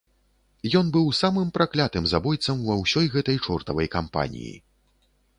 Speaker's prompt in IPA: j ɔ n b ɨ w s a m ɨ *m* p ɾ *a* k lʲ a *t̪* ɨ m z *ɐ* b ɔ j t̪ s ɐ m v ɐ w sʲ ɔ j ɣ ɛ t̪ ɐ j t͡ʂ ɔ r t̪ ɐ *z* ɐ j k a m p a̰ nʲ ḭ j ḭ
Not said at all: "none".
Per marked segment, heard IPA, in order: m, a, t̪, a, v

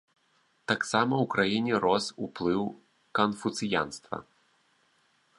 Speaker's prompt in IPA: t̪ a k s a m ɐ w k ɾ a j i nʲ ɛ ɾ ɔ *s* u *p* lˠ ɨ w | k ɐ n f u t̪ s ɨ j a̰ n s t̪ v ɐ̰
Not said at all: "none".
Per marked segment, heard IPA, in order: s, p

